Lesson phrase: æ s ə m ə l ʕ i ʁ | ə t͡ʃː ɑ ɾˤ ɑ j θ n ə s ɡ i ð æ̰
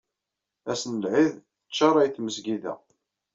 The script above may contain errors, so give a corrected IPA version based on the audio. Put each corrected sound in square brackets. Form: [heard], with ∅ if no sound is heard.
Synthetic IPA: æ s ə [n] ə l ʕ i [ð] | ə t͡ʃː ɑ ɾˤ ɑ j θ [m] ə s ɡ i ð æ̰